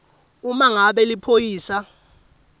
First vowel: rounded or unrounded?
rounded